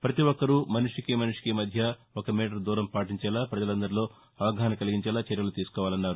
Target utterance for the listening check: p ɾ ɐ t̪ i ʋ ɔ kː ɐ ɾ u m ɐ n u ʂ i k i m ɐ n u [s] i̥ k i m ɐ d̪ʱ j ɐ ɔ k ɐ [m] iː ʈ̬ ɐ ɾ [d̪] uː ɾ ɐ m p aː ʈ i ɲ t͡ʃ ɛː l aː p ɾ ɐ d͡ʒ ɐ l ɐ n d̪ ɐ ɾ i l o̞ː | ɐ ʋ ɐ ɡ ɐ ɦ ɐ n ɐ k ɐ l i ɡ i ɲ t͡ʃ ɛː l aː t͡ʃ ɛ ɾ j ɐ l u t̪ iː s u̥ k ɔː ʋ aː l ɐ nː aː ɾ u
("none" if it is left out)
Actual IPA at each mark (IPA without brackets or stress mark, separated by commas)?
ʂ, m, d̪